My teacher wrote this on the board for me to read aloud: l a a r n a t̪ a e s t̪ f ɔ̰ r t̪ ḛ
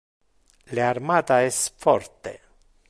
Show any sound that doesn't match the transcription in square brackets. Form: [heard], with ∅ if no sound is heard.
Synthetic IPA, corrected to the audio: l [e] a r [m] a t̪ a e s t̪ f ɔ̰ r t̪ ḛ